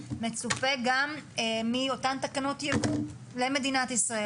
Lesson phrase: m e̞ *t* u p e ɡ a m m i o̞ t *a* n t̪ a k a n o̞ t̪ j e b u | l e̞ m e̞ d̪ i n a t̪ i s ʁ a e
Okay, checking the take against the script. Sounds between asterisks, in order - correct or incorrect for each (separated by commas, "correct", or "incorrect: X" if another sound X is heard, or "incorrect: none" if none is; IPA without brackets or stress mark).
incorrect: t͡s, correct